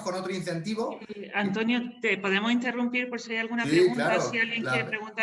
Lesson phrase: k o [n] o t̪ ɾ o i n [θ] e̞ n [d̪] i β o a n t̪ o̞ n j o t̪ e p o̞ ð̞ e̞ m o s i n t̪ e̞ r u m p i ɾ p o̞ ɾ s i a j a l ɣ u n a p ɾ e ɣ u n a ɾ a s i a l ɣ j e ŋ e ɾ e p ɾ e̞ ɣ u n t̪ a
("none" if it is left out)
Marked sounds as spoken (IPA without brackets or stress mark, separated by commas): n, θ, t̪